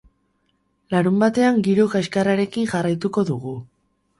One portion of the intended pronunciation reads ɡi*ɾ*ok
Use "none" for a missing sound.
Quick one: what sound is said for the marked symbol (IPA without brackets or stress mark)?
ɾ